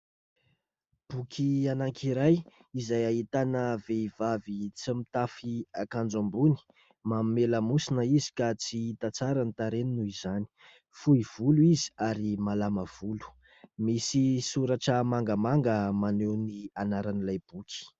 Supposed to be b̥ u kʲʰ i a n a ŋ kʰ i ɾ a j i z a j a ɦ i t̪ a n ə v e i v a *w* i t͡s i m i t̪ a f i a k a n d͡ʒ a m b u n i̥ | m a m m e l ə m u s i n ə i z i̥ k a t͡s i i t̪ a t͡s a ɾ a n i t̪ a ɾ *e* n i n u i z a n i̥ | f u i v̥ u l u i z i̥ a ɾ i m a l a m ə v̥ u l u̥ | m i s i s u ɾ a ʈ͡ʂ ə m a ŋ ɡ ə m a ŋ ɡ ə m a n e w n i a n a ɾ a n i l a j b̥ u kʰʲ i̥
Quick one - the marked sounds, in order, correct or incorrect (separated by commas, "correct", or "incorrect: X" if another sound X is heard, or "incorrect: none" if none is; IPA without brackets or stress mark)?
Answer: incorrect: v, correct